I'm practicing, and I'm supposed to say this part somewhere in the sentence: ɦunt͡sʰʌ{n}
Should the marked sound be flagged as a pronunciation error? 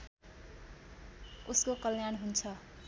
yes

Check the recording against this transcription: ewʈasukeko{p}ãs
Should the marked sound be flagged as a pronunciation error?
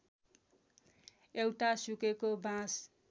yes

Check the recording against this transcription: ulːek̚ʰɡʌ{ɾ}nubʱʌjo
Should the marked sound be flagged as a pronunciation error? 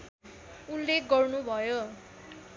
yes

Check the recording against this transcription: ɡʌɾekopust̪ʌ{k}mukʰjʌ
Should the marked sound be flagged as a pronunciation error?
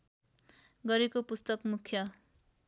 no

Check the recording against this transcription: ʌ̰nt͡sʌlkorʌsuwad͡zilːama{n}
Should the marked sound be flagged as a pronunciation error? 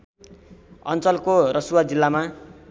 yes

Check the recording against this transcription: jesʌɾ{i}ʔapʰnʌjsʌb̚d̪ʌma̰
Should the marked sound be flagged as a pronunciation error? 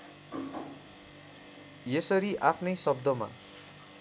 no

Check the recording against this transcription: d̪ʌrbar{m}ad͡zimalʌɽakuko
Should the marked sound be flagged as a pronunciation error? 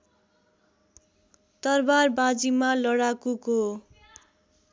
yes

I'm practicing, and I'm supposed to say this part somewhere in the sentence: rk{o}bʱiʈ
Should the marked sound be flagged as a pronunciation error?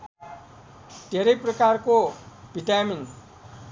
no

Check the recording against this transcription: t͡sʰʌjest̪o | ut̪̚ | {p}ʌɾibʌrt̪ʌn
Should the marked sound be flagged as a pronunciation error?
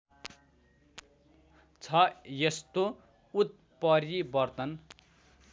no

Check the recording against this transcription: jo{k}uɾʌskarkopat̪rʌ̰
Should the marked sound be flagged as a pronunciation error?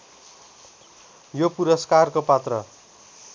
yes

